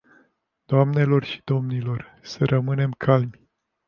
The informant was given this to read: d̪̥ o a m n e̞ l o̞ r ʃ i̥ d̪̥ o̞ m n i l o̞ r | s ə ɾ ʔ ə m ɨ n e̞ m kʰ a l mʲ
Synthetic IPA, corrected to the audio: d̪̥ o a m n e̞ l o̞ r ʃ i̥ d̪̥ o̞ m n i l o̞ r | s ə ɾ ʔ ə m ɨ n e̞ m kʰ a l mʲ